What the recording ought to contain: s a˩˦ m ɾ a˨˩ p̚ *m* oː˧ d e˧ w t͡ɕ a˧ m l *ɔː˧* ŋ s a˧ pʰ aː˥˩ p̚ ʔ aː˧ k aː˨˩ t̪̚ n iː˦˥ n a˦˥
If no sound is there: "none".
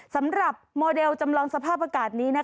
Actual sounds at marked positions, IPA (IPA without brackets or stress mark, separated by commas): m, ɔː˧